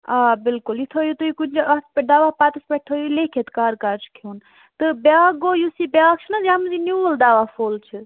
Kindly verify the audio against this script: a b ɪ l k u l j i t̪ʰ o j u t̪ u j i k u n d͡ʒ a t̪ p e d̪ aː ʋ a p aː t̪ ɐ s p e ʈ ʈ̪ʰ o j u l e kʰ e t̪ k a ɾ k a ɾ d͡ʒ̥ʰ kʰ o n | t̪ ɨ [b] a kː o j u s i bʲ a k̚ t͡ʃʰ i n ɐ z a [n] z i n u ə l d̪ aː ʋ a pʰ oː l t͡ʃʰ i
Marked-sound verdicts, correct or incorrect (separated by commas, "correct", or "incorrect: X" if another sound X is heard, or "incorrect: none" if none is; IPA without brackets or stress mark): correct, incorrect: m